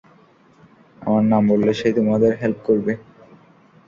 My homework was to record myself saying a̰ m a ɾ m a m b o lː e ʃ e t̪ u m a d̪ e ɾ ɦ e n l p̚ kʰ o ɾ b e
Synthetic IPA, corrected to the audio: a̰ m a ɾ n a m b o lː e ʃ e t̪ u m a d̪ e ɾ ɦ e l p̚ k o ɾ b e